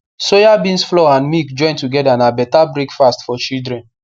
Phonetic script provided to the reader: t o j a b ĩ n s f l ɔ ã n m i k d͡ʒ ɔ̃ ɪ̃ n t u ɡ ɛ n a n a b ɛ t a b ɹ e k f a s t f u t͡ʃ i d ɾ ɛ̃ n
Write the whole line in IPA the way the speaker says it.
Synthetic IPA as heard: s o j a b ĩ n s f l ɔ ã n m i k d͡ʒ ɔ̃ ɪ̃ n t u ɡ ɛ d a n a b ɛ t a b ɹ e k f a s t f ɔ t͡ʃ i d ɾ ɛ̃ n